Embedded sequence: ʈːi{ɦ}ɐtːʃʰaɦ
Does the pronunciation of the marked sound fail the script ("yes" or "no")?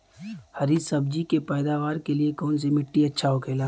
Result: yes